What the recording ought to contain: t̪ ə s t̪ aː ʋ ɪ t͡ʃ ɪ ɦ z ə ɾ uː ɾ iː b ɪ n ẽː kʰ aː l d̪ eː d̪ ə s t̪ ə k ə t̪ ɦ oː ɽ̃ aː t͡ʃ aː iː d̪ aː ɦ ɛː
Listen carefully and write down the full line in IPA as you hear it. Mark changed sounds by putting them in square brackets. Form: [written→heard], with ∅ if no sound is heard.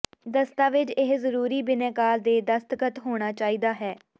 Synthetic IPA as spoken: [t̪→d̪] ə s t̪ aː ʋ ɪ t͡ʃ ɪ ɦ z ə ɾ uː ɾ iː b ɪ n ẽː [kʰ→k] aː l d̪ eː d̪ ə s t̪ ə k ə t̪ ɦ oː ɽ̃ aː t͡ʃ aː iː d̪ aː ɦ ɛː